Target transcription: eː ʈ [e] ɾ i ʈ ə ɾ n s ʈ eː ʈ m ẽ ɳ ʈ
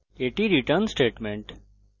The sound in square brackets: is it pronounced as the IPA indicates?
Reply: no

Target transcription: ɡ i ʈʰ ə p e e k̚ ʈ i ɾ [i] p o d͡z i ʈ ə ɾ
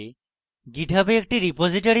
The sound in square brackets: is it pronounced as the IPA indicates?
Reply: yes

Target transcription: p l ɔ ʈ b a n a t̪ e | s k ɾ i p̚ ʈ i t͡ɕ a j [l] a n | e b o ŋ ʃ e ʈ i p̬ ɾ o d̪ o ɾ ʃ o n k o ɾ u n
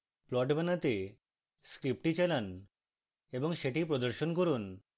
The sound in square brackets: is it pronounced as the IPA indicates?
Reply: yes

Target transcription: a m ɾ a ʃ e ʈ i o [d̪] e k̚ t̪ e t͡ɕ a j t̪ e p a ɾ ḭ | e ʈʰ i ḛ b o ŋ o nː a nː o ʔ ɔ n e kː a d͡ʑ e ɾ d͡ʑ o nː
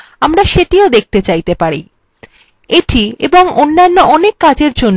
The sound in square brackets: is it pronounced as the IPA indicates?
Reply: yes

